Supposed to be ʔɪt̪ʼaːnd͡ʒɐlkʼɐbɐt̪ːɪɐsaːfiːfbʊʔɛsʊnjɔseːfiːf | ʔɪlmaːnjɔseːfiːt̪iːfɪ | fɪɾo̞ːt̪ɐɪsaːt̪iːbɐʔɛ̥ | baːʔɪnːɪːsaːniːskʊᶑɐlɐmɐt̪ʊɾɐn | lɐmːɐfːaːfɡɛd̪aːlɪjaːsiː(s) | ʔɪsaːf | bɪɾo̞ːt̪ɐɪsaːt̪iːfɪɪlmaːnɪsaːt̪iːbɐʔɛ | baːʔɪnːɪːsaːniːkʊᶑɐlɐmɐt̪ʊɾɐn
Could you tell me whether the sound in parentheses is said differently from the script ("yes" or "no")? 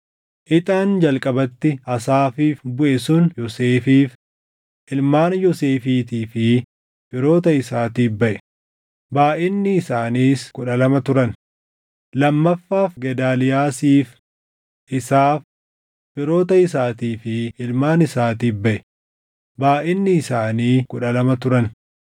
yes